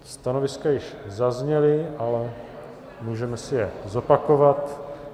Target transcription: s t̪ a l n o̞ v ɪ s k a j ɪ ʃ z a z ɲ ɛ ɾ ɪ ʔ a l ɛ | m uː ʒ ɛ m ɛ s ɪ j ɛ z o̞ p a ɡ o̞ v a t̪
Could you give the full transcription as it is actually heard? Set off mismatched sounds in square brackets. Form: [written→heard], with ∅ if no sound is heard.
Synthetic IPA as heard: s t̪ a [l→∅] n o̞ v ɪ s k a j ɪ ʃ z a z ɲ ɛ [ɾ→l] ɪ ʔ a l ɛ | m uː ʒ ɛ m ɛ s ɪ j ɛ z o̞ p a [ɡ→k] o̞ v a t̪